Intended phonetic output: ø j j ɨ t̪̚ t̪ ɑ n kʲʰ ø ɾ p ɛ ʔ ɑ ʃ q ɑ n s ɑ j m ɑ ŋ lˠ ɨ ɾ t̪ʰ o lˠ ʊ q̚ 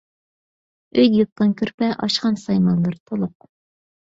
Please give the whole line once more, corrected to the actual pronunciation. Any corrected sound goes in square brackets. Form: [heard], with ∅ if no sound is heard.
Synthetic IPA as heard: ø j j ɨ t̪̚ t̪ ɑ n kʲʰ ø ɾ p ɛ ʔ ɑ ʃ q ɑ n s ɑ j m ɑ [n] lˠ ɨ ɾ t̪ʰ o lˠ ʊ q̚